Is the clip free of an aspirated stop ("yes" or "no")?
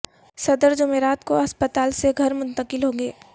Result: yes